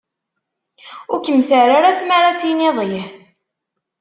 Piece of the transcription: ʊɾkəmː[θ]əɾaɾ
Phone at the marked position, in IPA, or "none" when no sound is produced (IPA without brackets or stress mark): θ